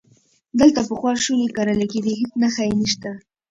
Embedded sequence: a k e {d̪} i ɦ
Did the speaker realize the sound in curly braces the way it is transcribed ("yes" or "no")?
yes